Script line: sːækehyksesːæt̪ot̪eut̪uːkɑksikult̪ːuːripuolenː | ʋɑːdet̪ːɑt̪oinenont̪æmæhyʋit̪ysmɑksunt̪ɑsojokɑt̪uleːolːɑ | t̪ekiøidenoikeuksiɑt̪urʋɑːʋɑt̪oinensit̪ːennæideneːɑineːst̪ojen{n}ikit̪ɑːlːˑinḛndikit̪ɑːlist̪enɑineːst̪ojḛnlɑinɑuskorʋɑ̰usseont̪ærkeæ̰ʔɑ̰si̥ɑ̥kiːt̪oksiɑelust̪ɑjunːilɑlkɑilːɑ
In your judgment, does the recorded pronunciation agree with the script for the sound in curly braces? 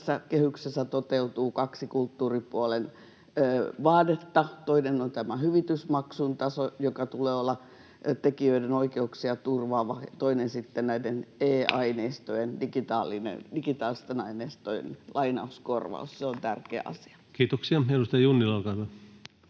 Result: no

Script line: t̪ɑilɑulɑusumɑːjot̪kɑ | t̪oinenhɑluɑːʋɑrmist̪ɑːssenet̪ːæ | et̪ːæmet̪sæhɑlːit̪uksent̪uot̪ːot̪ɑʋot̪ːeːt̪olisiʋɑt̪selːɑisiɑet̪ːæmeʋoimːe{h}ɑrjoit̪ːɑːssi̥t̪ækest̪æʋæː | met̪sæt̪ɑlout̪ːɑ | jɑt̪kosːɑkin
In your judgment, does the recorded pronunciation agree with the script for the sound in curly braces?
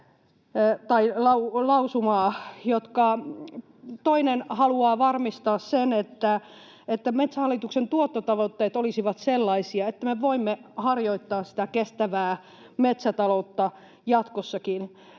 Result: yes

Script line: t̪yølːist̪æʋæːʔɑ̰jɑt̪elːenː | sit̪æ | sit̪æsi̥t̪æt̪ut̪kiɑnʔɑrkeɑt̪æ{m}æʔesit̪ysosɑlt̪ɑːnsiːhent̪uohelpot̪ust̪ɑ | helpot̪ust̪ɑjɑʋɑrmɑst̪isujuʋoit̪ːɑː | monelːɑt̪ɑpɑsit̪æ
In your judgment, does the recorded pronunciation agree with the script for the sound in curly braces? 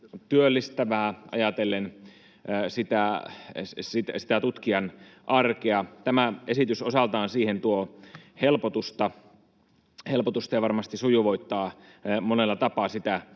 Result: yes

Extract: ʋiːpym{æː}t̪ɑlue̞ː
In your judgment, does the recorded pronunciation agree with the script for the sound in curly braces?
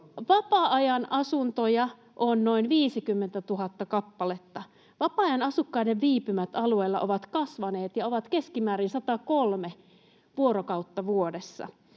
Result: no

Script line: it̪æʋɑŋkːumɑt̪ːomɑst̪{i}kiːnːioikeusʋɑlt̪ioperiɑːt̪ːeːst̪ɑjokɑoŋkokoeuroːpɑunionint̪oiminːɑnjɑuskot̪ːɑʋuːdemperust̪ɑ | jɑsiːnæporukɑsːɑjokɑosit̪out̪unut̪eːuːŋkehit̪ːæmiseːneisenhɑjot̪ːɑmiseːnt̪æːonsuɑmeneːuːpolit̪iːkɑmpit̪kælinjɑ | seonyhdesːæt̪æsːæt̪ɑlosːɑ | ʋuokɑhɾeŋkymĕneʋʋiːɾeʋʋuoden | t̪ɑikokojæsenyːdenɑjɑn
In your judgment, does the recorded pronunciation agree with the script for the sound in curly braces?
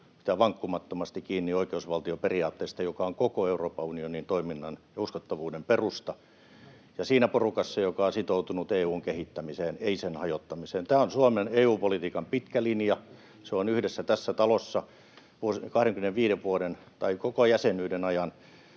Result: yes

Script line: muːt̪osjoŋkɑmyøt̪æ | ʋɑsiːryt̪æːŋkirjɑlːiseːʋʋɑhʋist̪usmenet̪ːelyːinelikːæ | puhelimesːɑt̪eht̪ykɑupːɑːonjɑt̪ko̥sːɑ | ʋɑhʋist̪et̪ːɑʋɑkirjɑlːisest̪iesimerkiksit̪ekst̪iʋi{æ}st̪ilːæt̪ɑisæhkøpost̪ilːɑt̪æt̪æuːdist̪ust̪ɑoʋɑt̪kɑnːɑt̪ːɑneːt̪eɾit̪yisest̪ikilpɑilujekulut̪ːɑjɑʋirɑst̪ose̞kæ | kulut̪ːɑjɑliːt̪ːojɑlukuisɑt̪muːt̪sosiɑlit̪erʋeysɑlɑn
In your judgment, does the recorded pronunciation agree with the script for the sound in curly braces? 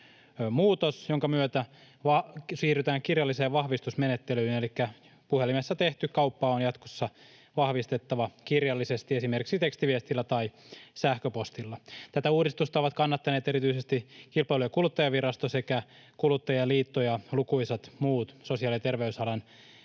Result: no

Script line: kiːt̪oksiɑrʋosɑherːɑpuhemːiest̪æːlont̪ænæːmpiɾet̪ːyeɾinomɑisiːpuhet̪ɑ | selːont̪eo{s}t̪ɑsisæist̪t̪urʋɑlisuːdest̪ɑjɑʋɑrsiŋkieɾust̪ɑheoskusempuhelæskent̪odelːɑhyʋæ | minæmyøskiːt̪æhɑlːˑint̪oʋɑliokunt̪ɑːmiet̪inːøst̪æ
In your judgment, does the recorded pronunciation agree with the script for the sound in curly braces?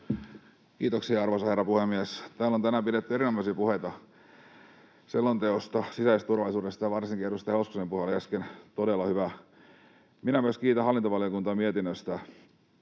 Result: yes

